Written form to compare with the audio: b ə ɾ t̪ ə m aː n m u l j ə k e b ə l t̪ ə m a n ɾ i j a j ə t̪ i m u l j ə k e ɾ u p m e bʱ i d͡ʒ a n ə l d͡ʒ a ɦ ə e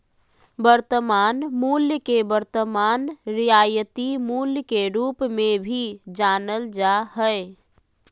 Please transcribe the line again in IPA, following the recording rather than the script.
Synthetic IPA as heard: b ə ɾ t̪ ə m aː n m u l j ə k e b ə ɾ t̪ ə m a n ɾ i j a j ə t̪ i m u l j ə k e ɾ u p m e bʱ i d͡ʒ a n ə l d͡ʒ a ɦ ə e